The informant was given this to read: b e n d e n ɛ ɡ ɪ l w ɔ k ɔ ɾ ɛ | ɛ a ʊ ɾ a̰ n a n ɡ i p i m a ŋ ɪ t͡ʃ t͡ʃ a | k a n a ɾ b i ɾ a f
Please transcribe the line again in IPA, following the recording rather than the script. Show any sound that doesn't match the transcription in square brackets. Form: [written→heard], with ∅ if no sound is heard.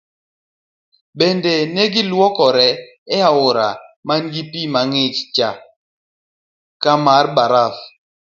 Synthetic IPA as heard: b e n d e n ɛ ɡ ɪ l w ɔ k ɔ ɾ ɛ | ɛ a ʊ ɾ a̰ [n→m] a n ɡ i p i m a ŋ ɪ t͡ʃ t͡ʃ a | k a [n→m] a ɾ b [i→a] ɾ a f